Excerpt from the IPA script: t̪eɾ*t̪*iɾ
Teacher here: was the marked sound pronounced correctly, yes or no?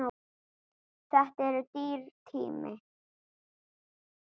yes